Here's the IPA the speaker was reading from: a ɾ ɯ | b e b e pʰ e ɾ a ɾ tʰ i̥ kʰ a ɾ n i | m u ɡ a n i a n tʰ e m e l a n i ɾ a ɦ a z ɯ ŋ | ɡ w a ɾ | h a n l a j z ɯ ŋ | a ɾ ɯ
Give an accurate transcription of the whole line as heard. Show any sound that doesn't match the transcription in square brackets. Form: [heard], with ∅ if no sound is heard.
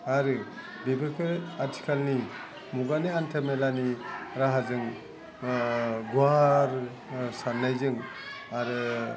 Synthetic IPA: a ɾ ɯ | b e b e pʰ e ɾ a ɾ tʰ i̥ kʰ a [l] n i | m u ɡ a n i a n tʰ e m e l a n i ɾ a ɦ a z ɯ ŋ | ɡ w a ɾ | [s] a n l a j z ɯ ŋ | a ɾ ɯ